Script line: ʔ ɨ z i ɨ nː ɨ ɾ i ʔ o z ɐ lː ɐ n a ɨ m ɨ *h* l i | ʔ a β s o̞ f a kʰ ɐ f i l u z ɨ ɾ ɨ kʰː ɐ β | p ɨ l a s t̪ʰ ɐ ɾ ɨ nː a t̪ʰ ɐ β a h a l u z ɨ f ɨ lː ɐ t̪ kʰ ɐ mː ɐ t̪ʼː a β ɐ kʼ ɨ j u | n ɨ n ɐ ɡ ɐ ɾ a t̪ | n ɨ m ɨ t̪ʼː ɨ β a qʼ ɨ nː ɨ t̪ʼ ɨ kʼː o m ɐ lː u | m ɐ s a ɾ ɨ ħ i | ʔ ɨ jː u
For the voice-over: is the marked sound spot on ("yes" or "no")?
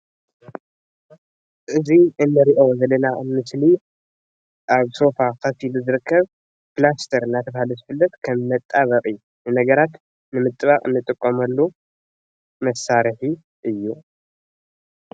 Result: no